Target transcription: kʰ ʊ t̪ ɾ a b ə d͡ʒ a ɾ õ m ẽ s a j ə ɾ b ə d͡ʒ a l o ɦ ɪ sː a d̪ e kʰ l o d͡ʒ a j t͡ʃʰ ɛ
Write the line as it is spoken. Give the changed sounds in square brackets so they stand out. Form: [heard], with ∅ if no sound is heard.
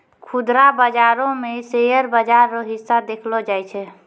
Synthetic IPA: kʰ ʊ [d̪] ɾ a b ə d͡ʒ a ɾ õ m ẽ s [e] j ə ɾ b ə d͡ʒ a [ɾ] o ɦ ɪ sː a d̪ e kʰ l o d͡ʒ a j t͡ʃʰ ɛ